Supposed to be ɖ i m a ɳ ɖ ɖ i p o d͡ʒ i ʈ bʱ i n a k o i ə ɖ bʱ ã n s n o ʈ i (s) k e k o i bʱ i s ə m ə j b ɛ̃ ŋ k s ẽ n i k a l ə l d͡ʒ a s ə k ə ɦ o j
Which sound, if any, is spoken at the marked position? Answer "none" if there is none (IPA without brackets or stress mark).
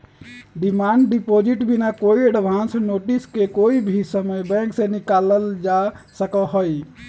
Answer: s